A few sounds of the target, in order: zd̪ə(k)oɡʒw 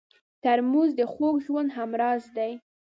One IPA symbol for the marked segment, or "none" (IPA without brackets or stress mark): x